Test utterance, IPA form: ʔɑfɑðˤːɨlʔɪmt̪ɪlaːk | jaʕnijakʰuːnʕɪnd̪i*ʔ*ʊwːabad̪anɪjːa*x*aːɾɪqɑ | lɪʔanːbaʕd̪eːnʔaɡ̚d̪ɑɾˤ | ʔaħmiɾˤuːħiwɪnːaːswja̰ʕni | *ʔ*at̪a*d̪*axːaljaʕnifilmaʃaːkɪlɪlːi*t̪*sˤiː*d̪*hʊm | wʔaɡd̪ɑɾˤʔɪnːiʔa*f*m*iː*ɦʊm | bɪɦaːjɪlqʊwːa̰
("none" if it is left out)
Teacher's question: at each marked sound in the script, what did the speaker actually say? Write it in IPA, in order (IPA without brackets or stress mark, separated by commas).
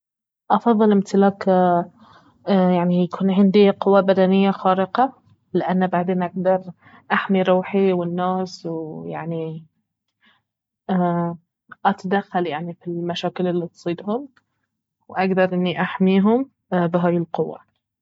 q, x, ʔ, d̪, t̪, d̪, ħ, iː